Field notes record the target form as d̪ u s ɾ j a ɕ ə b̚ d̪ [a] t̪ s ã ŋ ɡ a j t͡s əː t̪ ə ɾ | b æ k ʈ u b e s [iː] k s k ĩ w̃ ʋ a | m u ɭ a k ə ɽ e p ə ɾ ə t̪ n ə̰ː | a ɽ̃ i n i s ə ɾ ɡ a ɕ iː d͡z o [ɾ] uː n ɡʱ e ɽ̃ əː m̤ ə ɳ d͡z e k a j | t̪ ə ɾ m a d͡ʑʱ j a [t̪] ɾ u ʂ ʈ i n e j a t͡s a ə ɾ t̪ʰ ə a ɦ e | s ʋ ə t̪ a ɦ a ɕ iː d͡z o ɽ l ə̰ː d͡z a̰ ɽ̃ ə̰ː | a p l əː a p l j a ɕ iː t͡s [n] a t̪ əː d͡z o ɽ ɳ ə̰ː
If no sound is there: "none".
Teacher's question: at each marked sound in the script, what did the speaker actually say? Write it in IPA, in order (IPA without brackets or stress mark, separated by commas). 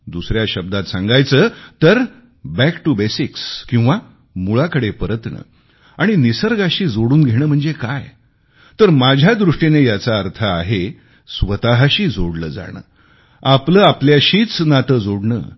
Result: a, i, ɽ, d̪, n